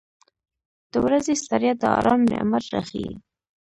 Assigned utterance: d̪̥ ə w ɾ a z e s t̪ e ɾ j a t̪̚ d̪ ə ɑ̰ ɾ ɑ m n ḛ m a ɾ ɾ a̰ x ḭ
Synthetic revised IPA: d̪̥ ə w ɾ a z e s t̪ a ɾ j a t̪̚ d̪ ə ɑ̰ ɾ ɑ m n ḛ m a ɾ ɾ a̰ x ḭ